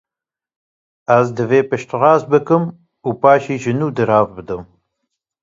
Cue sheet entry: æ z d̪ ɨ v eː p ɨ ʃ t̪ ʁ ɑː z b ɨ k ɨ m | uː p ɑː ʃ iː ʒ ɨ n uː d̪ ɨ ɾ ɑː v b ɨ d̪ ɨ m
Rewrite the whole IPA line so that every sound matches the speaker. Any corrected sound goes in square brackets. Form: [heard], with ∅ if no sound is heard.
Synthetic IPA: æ z d̪ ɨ v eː p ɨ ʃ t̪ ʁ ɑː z b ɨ k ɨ m | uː p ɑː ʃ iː ʒ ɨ n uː d̪ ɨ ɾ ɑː v b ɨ d̪ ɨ m

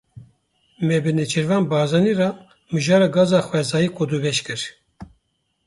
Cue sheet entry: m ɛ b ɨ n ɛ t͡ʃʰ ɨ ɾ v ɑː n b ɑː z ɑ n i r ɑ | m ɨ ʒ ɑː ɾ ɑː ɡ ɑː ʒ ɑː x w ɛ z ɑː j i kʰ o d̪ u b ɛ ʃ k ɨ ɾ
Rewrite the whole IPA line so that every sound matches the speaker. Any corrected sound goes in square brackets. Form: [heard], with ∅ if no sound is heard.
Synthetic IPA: m ɛ b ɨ n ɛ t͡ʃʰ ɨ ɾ v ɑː n b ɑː z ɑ n i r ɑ | m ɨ ʒ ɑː ɾ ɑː ɡ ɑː [z] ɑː x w ɛ z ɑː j i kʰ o d̪ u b ɛ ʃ k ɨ ɾ

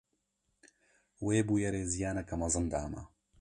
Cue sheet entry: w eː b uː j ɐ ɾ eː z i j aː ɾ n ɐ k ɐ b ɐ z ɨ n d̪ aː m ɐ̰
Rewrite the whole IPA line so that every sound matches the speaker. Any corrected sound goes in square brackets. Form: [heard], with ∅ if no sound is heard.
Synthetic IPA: w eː b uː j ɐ ɾ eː z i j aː [∅] n ɐ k ɐ [m] ɐ z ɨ n d̪ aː m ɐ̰

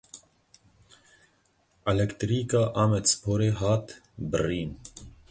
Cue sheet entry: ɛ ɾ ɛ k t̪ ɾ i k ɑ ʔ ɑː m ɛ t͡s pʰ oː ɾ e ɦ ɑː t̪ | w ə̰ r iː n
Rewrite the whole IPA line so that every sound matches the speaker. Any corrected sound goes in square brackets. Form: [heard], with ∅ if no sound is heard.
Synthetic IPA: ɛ [l] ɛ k t̪ ɾ i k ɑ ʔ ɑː m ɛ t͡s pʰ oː ɾ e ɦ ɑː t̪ | [b] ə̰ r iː n

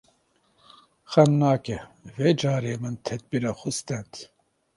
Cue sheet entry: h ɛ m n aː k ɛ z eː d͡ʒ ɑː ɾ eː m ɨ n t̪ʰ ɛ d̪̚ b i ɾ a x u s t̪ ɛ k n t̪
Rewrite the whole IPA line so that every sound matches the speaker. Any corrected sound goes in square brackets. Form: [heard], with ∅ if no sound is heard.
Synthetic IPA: [x] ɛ m n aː k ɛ [v] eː d͡ʒ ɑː ɾ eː m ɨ n t̪ʰ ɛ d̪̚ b i ɾ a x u s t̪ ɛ [∅] n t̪

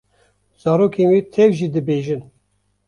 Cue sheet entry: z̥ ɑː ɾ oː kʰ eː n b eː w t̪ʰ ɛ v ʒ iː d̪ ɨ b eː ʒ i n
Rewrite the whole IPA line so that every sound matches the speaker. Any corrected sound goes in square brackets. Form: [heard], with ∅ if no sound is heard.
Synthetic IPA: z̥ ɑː ɾ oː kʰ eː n [w] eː [∅] t̪ʰ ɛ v ʒ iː d̪ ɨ b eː ʒ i n

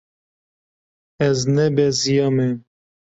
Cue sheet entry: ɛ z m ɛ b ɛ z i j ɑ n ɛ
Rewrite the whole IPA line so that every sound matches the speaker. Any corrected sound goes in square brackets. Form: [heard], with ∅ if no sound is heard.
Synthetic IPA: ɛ z [n] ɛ b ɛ z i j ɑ [m] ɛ

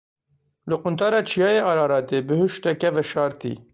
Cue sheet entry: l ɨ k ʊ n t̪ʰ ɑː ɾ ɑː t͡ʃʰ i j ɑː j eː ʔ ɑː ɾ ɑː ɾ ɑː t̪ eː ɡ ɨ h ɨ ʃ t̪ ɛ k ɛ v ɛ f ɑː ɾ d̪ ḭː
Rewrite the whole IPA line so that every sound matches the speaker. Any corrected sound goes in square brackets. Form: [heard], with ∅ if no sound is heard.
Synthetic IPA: l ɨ [q] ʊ n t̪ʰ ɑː ɾ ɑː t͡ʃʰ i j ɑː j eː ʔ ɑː ɾ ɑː ɾ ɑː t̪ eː [b] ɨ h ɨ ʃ t̪ ɛ k ɛ v ɛ [ʃ] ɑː ɾ [t̪] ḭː

